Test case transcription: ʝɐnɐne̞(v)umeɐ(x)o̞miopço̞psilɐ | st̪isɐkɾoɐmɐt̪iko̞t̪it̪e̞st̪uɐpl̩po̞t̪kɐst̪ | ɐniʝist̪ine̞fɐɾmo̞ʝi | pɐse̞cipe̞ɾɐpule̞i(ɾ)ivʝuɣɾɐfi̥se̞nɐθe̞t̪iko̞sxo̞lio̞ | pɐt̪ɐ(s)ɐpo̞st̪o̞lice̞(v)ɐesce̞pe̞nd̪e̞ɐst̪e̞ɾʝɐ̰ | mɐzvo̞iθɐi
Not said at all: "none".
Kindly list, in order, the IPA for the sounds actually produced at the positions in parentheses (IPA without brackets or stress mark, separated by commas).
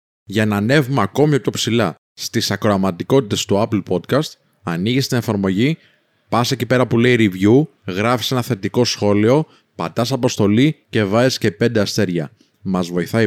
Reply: v, k, ɾ, s, v